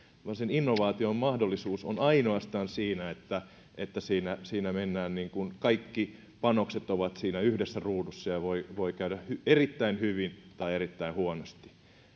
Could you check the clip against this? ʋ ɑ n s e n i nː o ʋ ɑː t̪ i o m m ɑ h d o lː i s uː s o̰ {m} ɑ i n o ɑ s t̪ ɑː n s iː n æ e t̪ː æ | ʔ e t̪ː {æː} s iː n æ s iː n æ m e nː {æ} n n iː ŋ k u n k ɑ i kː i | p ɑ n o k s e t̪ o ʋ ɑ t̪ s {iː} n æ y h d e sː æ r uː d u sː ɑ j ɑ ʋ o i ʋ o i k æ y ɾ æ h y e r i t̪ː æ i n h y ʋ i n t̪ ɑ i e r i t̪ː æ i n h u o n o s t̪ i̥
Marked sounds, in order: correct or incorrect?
incorrect: n, incorrect: æ, incorrect: æː, correct

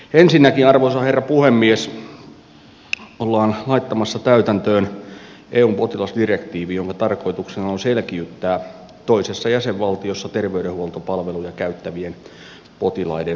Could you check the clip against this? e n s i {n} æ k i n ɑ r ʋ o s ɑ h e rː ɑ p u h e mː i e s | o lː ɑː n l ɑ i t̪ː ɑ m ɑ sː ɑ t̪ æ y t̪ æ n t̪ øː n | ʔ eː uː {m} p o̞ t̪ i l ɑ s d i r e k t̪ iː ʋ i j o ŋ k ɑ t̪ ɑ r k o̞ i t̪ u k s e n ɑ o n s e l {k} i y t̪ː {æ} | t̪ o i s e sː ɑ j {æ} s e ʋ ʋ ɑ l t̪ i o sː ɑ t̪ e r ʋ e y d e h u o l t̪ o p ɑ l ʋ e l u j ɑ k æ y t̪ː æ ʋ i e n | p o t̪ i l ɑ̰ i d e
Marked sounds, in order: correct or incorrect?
incorrect: nː, correct, correct, incorrect: æː, correct

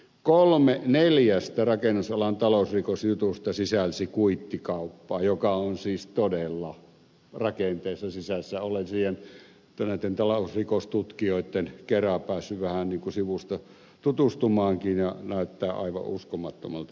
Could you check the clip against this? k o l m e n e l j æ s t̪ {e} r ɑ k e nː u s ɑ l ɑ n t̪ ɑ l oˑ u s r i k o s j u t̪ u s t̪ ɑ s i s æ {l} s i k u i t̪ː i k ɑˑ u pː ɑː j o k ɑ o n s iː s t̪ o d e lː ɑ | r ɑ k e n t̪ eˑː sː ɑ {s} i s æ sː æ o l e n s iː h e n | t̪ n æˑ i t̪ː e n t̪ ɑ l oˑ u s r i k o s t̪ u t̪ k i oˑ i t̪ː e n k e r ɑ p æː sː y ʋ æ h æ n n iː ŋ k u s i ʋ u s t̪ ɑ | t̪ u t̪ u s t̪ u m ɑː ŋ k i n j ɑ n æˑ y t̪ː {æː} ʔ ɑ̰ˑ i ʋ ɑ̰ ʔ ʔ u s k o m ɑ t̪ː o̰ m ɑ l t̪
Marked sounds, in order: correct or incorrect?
incorrect: æ, correct, correct, correct

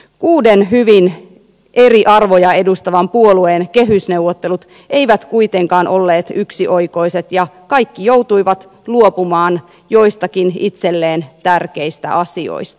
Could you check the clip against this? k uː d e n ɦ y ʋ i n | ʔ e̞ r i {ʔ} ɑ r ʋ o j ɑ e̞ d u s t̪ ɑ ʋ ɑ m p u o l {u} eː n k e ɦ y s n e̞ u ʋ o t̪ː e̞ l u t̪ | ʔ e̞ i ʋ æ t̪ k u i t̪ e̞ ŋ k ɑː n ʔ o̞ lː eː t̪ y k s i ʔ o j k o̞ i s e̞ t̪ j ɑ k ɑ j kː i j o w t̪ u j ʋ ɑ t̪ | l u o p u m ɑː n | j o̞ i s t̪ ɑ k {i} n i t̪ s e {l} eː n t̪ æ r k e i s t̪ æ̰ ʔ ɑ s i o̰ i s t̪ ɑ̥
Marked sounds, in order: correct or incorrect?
correct, correct, correct, incorrect: lː

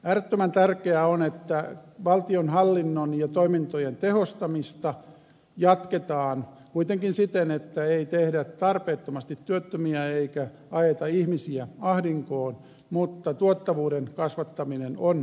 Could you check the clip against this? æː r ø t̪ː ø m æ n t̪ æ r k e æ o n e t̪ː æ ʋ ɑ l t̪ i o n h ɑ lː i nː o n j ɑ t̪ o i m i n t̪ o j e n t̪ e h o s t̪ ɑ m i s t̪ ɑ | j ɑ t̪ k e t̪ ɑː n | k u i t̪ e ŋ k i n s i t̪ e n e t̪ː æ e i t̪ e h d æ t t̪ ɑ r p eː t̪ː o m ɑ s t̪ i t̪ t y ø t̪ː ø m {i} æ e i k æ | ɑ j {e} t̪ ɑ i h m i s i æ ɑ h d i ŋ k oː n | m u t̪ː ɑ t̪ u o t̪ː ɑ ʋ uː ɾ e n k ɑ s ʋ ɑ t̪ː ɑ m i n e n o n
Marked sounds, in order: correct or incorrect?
correct, correct

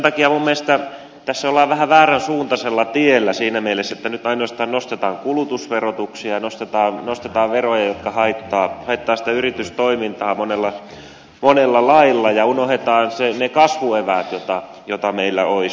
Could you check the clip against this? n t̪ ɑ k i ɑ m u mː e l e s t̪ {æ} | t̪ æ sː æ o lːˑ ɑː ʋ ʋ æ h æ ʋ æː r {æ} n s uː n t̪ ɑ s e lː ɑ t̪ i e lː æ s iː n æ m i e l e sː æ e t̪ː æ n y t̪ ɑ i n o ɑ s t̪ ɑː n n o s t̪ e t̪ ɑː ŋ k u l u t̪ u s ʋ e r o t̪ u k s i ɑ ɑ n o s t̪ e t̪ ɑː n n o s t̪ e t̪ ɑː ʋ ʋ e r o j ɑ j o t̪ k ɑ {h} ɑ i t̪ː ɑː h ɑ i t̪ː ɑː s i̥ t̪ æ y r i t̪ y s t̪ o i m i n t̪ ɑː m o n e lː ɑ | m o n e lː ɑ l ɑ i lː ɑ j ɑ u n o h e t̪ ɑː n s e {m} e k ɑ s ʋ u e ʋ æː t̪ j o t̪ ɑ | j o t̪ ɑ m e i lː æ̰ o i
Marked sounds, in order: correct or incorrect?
correct, correct, correct, incorrect: n

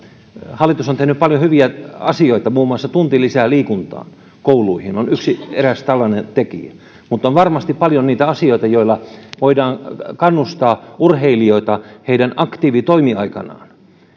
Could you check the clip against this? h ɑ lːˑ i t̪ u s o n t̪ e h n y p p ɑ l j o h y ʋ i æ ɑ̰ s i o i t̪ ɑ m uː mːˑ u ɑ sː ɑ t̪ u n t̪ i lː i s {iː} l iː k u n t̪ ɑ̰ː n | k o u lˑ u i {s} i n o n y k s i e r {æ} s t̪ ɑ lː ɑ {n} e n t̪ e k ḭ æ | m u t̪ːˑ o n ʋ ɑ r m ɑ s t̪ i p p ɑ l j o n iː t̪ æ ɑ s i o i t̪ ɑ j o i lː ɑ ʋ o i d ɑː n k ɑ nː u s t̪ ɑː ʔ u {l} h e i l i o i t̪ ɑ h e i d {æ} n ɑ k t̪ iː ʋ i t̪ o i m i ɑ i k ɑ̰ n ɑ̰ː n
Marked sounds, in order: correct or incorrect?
incorrect: æː, incorrect: h, correct, correct, incorrect: r, correct

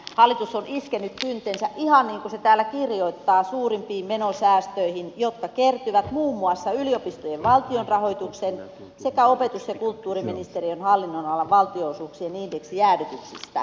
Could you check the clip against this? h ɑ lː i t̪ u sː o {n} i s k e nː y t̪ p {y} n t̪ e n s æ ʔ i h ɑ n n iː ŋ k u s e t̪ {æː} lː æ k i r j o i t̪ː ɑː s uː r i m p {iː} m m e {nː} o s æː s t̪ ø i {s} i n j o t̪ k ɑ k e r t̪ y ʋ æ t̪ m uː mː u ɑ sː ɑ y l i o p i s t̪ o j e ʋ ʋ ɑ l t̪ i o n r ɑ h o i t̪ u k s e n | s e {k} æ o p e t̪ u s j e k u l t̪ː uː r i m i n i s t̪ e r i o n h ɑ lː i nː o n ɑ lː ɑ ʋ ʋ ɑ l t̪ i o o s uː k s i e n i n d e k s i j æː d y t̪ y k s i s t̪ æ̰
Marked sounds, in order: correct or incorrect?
correct, correct, correct, correct, incorrect: n, incorrect: h, correct

